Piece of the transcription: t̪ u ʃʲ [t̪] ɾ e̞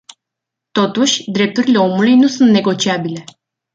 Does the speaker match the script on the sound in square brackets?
no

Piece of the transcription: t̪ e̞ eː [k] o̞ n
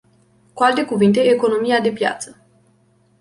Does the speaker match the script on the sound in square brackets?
yes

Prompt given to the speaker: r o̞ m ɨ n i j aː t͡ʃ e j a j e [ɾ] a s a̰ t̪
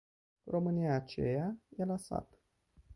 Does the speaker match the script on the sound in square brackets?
no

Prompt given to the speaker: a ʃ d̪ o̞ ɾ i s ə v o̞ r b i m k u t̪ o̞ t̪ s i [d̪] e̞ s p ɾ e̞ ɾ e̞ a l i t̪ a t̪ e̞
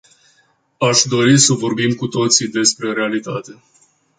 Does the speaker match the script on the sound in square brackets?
yes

